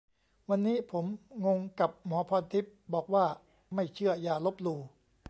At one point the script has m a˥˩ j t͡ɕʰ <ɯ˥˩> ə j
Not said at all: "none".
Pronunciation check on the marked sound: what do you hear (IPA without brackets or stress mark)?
ɯ˥˩